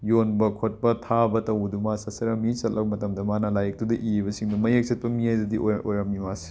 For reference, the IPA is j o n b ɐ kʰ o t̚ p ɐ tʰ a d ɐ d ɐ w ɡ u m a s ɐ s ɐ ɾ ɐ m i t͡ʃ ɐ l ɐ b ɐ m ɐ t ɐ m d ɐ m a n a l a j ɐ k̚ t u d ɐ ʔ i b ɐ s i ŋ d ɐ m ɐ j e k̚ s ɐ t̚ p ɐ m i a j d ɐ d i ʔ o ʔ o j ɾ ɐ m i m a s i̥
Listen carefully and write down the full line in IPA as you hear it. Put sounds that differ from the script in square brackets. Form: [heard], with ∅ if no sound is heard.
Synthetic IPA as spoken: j o n b ɐ kʰ o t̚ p ɐ tʰ a [b] ɐ [t] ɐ w [d] u m a s ɐ s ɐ ɾ ɐ m i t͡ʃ ɐ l ɐ b ɐ m ɐ t ɐ m d ɐ m a n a l a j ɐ k̚ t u d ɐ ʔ i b ɐ s i ŋ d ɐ m ɐ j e k̚ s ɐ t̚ p ɐ m i a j d ɐ d i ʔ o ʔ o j ɾ ɐ m i m a s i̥

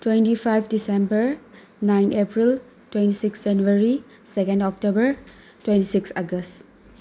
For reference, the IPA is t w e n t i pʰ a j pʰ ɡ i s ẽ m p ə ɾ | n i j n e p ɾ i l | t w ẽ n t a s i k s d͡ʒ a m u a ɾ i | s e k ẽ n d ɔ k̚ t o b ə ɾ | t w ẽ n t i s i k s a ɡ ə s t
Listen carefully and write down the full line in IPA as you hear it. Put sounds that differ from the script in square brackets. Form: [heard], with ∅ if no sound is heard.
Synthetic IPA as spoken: t w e n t i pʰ a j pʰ [d] i s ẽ m [b] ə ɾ | n [a] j n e p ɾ i l | t w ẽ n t [i] s i k s d͡ʒ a [n] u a ɾ i | s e k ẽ n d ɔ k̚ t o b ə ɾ | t w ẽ n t i s i k s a ɡ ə s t

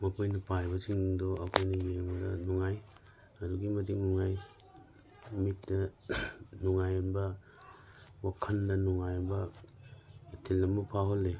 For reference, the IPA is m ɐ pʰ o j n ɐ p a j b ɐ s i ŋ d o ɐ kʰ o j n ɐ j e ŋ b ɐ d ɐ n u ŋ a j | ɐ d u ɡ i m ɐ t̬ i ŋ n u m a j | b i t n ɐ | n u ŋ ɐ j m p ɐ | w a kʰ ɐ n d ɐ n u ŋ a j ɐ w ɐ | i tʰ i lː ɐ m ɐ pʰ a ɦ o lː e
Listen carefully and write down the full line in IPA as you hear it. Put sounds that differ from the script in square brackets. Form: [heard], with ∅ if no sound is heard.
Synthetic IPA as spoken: m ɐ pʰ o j n ɐ p a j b ɐ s i ŋ d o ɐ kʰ o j n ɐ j e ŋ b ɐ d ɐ n u ŋ a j | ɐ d u ɡ i m ɐ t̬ i ŋ n u [ŋ] a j | [m] i t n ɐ | n u ŋ [a] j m [b] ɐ | w a kʰ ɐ n d ɐ n u ŋ a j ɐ [b] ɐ | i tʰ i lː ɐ m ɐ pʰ a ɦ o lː e

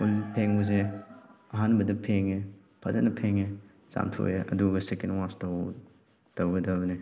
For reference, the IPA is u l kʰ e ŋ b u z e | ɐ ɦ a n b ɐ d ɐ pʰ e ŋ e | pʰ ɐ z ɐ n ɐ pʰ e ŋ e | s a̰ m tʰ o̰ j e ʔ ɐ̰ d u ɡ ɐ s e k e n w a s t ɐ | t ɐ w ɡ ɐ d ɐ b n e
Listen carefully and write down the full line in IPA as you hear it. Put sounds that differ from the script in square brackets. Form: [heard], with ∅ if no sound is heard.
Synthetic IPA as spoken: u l [pʰ] e ŋ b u z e | ɐ ɦ a n b ɐ d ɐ pʰ e ŋ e | pʰ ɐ z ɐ n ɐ pʰ e ŋ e | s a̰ m tʰ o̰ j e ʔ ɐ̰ d u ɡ ɐ s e k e n w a s t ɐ | t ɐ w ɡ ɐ d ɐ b n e

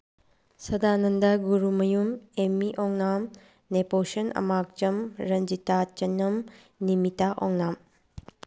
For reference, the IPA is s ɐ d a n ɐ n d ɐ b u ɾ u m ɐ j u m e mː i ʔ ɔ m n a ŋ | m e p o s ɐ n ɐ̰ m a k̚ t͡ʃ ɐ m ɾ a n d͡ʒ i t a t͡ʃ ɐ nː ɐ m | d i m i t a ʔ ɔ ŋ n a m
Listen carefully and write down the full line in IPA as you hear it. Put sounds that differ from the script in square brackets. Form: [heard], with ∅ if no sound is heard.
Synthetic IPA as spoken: s ɐ d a n ɐ n d ɐ [ɡ] u ɾ u m ɐ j u m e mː i ʔ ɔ [ŋ] n a [m] | [n] e p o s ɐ n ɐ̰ m a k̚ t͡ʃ ɐ m ɾ [ɐ] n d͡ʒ i t a t͡ʃ ɐ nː ɐ m | [n] i m i t a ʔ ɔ ŋ n a m

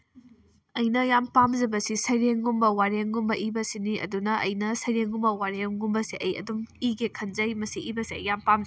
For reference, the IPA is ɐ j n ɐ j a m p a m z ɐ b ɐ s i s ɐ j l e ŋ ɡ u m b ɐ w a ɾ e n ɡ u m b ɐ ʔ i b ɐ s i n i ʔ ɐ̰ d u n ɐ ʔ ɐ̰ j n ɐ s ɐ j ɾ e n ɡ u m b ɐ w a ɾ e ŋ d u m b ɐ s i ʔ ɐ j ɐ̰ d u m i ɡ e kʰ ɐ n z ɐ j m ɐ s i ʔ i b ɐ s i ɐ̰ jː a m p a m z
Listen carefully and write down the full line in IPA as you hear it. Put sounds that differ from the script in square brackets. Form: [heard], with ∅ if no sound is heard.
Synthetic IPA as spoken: ɐ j n ɐ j a m p a m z ɐ b ɐ s i s ɐ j [ɾ] e ŋ ɡ u m b ɐ w a ɾ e [ŋ] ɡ u m b ɐ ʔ i b ɐ s i n i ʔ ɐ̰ d u n ɐ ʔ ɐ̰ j n ɐ s ɐ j ɾ e [ŋ] ɡ u m b ɐ w a ɾ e ŋ [ɡ] u m b ɐ s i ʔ ɐ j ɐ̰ d u m i ɡ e kʰ ɐ n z ɐ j m ɐ s i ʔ i b ɐ s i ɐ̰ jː a m p a m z

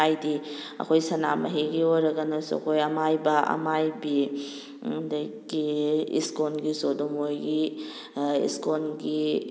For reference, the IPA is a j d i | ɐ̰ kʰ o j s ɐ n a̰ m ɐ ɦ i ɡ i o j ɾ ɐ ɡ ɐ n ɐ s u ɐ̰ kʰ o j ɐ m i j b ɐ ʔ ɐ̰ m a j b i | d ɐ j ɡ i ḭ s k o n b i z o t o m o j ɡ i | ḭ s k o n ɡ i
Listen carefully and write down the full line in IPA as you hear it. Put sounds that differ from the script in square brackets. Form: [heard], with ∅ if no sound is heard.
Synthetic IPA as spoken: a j d i | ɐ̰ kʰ o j s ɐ n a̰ m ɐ ɦ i ɡ i o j ɾ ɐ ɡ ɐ n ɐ s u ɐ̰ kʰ o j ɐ m [a] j b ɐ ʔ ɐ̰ m a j b i | d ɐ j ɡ i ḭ s k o n [ɡ] i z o [d] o m o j ɡ i | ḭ s k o n ɡ i

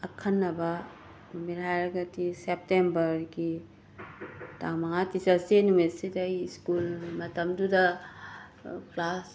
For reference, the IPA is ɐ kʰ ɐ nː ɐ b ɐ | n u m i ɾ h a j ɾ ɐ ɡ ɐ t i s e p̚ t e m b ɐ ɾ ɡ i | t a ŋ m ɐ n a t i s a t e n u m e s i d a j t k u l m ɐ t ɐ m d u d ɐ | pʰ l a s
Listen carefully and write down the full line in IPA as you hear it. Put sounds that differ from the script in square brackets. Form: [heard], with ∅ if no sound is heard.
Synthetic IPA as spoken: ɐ kʰ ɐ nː ɐ b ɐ | n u m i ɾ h a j ɾ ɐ ɡ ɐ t i s e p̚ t e m b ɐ ɾ ɡ i | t a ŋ m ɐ [ŋ] a t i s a [s] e n u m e s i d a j [s] k u l m ɐ t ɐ m d u d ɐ | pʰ l a s

